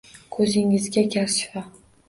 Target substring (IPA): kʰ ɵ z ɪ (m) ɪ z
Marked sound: incorrect: ŋ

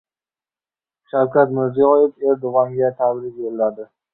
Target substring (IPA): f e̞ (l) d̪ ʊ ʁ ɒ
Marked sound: incorrect: ɾ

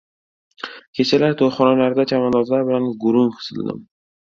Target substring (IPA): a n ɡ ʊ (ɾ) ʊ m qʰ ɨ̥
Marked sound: correct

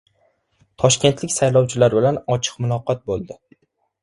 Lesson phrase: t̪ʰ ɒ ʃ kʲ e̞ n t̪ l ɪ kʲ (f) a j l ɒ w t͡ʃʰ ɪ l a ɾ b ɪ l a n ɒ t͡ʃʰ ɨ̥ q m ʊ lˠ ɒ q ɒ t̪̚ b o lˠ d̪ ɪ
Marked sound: incorrect: s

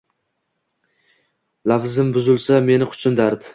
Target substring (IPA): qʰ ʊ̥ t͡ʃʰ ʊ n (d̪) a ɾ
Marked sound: correct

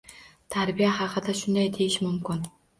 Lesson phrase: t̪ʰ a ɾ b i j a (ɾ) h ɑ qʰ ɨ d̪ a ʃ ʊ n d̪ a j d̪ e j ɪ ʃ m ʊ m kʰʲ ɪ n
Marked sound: incorrect: none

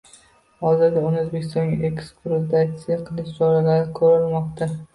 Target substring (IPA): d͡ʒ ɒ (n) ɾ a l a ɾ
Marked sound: incorrect: none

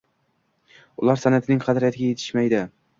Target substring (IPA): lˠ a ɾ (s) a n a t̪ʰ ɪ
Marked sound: correct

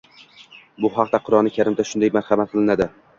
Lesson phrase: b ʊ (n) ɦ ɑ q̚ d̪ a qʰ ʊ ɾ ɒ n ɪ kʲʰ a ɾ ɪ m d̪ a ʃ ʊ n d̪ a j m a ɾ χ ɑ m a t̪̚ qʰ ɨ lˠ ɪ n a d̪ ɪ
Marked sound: incorrect: none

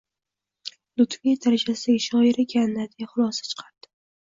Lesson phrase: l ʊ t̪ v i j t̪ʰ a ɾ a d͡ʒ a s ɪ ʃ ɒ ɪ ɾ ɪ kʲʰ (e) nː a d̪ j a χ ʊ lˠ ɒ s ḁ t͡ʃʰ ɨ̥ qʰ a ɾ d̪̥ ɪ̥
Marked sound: incorrect: a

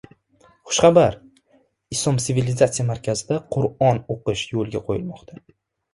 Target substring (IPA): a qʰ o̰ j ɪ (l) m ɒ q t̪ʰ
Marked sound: correct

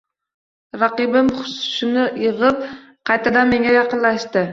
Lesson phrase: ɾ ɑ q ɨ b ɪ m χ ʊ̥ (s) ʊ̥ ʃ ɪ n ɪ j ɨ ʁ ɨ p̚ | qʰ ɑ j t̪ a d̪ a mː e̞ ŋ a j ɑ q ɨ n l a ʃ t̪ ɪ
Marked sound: correct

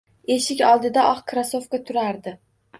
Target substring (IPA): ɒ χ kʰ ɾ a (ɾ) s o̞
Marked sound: incorrect: none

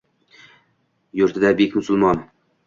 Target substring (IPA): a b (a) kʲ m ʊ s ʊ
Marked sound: incorrect: e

